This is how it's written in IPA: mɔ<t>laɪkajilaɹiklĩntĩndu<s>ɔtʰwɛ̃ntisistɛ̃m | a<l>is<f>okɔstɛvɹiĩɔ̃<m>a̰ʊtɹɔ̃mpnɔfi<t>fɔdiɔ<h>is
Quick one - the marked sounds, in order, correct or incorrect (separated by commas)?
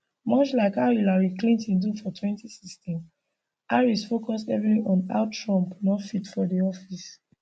incorrect, incorrect, incorrect, correct, incorrect, correct, incorrect